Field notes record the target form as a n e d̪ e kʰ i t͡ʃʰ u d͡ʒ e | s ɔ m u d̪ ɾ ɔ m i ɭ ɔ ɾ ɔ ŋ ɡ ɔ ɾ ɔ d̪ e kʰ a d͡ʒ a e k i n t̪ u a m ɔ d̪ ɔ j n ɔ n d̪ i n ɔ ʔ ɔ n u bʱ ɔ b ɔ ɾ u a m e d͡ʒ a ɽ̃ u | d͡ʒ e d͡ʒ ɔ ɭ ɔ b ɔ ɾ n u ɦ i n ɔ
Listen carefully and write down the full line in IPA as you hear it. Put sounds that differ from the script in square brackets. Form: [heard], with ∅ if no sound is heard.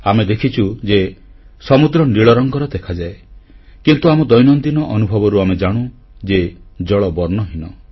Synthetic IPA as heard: a [m] e d̪ e kʰ i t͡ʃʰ u d͡ʒ e | s ɔ m u d̪ ɾ ɔ [n] i ɭ ɔ ɾ ɔ ŋ ɡ ɔ ɾ ɔ d̪ e kʰ a d͡ʒ a e k i n t̪ u a m ɔ d̪ ɔ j n ɔ n d̪ i n ɔ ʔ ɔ n u bʱ ɔ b ɔ ɾ u a m e d͡ʒ a ɽ̃ u | d͡ʒ e d͡ʒ ɔ ɭ ɔ b ɔ ɾ n [ɔ] ɦ i n ɔ

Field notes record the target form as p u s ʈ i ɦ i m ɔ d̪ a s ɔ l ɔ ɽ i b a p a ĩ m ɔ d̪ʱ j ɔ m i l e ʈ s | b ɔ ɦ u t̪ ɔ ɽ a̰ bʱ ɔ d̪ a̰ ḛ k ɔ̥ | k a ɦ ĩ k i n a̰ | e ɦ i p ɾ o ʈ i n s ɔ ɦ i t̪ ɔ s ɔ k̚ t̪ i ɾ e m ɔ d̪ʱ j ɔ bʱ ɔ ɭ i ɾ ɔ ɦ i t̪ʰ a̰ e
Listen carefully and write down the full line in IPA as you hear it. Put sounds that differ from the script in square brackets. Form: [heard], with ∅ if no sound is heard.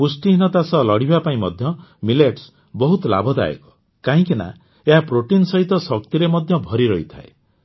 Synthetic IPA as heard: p u s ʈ i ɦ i [n] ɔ [t̪] a s ɔ l ɔ ɽ i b a p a ĩ m ɔ d̪ʱ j ɔ m i l e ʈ s | b ɔ ɦ u t̪ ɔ [l] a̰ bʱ ɔ d̪ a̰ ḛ k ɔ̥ | k a ɦ ĩ k i n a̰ | e ɦ [a] p ɾ o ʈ i n s ɔ ɦ i t̪ ɔ s ɔ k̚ t̪ i ɾ e m ɔ d̪ʱ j ɔ bʱ ɔ [ɾ] i ɾ ɔ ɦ i t̪ʰ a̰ e

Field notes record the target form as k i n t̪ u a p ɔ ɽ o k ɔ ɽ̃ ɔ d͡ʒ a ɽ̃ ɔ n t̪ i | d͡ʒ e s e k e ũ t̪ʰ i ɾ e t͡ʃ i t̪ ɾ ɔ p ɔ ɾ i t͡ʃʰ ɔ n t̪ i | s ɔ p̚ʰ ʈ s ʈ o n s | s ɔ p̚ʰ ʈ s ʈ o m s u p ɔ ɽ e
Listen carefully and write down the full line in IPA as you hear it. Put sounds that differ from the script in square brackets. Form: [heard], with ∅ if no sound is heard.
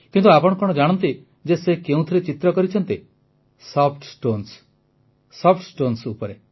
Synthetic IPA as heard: k i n t̪ u a p ɔ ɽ [ɔ] k ɔ ɽ̃ ɔ d͡ʒ a ɽ̃ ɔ n t̪ i | d͡ʒ e s e k e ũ t̪ʰ i ɾ e t͡ʃ i t̪ ɾ ɔ [k] ɔ ɾ i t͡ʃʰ ɔ n t̪ i | s ɔ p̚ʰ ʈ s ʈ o n s | s ɔ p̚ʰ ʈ s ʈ o [n] s u p ɔ [ɾ] e

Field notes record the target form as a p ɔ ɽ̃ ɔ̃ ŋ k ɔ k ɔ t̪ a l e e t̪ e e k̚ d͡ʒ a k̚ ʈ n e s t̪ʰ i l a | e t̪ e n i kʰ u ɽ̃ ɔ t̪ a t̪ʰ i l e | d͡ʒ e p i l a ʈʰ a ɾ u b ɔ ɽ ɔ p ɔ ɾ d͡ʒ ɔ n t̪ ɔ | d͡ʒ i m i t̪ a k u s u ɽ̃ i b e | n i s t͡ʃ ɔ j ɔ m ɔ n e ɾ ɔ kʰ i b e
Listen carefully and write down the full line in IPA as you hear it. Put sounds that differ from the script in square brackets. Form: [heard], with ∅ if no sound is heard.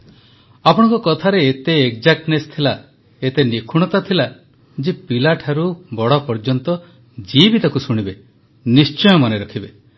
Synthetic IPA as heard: a p ɔ ɽ̃ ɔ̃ ŋ k ɔ k ɔ [t̪ʰ] a [ɾ] e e t̪ e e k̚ d͡ʒ a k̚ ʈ n e s t̪ʰ i l a | e t̪ e n i kʰ u ɽ̃ ɔ t̪ a t̪ʰ i l [a] | d͡ʒ e p i l a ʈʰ a ɾ u b ɔ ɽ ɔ p ɔ ɾ d͡ʒ ɔ n t̪ ɔ | d͡ʒ i [b] i t̪ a k u s u ɽ̃ i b e | n i s t͡ʃ ɔ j ɔ m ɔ n e ɾ ɔ kʰ i b e

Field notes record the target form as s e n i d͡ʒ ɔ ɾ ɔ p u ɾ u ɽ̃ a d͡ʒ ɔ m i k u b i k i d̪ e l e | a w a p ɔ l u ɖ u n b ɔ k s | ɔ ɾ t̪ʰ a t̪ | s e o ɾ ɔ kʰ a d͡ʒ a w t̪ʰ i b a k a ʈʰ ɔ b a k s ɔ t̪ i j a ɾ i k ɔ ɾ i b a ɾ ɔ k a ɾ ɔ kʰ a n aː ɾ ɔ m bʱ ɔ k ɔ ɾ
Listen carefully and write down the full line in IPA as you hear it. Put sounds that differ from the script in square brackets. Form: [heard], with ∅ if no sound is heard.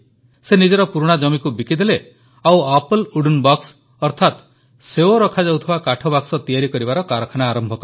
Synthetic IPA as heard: s e n i d͡ʒ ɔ ɾ ɔ p u ɾ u ɽ̃ a d͡ʒ ɔ m i k u b i k i d̪ e l e | a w a p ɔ l u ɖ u n b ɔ k s | ɔ ɾ t̪ʰ a t̪ | s e o ɾ ɔ kʰ a d͡ʒ a w t̪ʰ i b a k a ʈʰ ɔ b a k s ɔ t̪ i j a ɾ i k ɔ ɾ i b a ɾ ɔ k a ɾ ɔ kʰ a n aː ɾ ɔ m bʱ ɔ k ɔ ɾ

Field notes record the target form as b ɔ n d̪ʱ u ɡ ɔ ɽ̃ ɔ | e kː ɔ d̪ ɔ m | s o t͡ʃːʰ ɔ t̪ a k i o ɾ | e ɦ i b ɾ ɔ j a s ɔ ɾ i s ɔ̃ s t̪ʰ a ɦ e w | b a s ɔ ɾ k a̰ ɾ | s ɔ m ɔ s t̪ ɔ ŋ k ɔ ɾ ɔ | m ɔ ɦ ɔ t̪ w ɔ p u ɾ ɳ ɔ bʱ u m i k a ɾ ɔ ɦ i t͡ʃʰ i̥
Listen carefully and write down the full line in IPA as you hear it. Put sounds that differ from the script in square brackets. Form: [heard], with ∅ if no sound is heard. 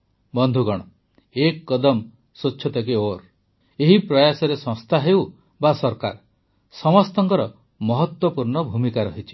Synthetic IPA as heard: b ɔ n d̪ʱ u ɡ ɔ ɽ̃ ɔ | e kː ɔ d̪ ɔ m | s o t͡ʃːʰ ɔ t̪ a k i o ɾ | e ɦ i [p] ɾ ɔ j a s ɔ ɾ [e] s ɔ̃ s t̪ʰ a ɦ e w | b a s ɔ ɾ k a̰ ɾ | s ɔ m ɔ s t̪ ɔ ŋ k ɔ ɾ ɔ | m ɔ ɦ ɔ t̪ w ɔ p u ɾ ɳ ɔ bʱ u m i k a ɾ ɔ ɦ i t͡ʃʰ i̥

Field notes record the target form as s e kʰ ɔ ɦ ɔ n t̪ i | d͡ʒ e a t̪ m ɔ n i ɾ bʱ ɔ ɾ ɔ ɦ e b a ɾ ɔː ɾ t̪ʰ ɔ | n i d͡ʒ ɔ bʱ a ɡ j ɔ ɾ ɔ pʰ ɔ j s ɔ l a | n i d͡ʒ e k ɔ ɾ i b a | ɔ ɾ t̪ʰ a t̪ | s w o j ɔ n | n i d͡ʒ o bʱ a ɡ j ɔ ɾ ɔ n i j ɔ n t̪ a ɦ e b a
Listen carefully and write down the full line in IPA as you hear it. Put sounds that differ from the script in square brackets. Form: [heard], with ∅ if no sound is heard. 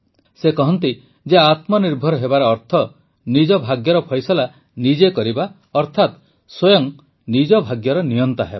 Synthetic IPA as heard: s e [k] ɔ ɦ ɔ n t̪ i | d͡ʒ e a t̪ m ɔ n i ɾ bʱ ɔ ɾ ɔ ɦ e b a ɾ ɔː ɾ t̪ʰ ɔ | n i d͡ʒ ɔ bʱ a ɡ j ɔ ɾ ɔ pʰ ɔ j s ɔ l a | n i d͡ʒ e k ɔ ɾ i b a | ɔ ɾ t̪ʰ a t̪ | s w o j ɔ [ŋ] | n i d͡ʒ [ɔ] bʱ a ɡ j ɔ ɾ ɔ n i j ɔ n t̪ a ɦ e b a

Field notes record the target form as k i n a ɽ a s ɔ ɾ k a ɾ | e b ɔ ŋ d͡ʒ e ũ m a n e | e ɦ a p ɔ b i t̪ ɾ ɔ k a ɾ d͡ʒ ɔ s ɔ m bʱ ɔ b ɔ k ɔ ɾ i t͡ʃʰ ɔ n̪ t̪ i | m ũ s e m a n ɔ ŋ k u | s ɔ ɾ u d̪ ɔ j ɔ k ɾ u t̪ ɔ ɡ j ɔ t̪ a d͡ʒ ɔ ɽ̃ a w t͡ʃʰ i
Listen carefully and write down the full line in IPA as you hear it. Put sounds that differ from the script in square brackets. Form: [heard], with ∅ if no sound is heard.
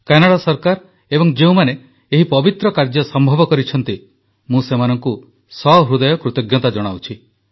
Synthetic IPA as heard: k [a] n a ɽ a s ɔ ɾ k a ɾ | e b ɔ ŋ d͡ʒ e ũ m a n e | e ɦ [i] p ɔ b i t̪ ɾ ɔ k a ɾ d͡ʒ ɔ s ɔ m bʱ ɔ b ɔ k ɔ ɾ i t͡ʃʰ ɔ n̪ t̪ i | m ũ s e m a n ɔ ŋ k u | s ɔ ɾ u d̪ ɔ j ɔ k ɾ u t̪ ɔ ɡ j ɔ t̪ a d͡ʒ ɔ ɽ̃ a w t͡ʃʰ i

